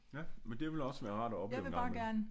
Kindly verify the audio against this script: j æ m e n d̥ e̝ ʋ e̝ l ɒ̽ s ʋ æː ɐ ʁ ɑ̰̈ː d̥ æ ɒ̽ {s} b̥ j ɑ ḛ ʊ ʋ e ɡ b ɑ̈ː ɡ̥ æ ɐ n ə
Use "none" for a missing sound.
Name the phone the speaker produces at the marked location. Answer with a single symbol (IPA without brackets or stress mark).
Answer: none